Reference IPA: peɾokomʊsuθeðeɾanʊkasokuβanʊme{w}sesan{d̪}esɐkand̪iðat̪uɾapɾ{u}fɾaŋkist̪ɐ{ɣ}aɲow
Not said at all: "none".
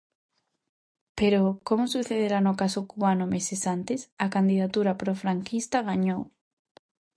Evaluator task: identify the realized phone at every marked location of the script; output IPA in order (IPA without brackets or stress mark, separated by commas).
none, t̪, o, ɣ